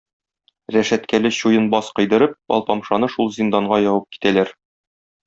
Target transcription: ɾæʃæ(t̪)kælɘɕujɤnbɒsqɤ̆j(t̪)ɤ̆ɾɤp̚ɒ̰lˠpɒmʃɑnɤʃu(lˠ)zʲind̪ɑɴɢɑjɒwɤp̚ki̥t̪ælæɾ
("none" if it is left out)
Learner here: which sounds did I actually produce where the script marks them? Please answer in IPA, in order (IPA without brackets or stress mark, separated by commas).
t̪, d̪, lˠ